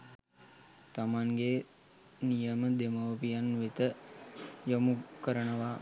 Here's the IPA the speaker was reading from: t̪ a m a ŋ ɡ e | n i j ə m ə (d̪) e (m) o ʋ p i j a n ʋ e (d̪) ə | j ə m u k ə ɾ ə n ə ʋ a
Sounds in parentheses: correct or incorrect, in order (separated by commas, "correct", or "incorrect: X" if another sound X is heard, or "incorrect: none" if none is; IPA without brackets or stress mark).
correct, correct, incorrect: t̪